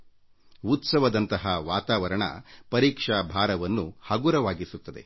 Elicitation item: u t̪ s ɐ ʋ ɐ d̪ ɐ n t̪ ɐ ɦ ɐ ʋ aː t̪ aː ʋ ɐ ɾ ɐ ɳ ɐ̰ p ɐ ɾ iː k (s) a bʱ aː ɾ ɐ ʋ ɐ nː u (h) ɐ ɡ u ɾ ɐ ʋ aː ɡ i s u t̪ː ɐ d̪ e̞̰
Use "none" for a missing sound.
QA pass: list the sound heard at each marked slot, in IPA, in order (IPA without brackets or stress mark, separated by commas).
ʂ, h